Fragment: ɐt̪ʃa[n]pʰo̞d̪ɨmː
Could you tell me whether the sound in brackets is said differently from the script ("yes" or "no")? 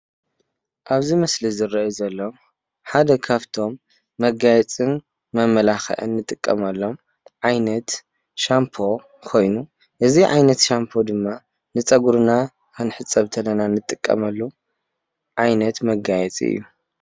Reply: yes